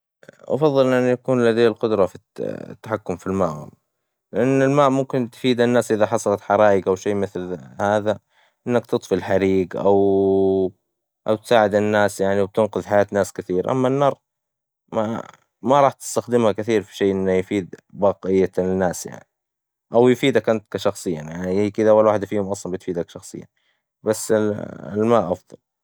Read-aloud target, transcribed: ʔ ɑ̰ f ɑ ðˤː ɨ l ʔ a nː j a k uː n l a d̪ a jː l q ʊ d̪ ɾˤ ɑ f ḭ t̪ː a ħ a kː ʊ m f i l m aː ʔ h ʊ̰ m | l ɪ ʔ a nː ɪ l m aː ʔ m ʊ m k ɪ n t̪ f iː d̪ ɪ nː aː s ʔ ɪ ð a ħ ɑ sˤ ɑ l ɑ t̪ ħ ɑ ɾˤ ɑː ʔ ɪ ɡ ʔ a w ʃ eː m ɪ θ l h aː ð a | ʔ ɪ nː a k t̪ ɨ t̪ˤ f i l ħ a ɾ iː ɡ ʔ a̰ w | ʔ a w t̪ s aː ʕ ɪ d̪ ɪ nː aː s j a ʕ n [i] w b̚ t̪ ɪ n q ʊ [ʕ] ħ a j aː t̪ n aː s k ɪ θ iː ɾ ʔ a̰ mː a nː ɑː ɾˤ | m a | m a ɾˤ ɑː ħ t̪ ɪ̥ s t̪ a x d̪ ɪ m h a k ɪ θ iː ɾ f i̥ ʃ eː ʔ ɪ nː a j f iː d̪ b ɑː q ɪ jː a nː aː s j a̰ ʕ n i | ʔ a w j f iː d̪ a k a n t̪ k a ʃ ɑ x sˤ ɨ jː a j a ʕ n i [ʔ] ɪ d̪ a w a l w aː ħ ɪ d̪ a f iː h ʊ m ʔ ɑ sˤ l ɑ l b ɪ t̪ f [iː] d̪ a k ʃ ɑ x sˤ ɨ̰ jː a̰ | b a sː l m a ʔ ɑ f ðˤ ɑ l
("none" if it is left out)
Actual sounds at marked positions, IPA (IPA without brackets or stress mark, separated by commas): i, ð, k, iː